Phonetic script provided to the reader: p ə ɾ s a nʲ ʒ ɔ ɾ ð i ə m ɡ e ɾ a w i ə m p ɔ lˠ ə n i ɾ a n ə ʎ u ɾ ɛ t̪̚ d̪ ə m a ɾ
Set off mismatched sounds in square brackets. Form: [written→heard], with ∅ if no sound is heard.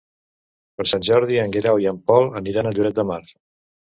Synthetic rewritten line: p ə ɾ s a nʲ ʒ ɔ ɾ ð i ə [m→ŋ] ɡ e ɾ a w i ə m p ɔ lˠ ə n i ɾ a n ə ʎ u ɾ ɛ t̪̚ d̪ ə m a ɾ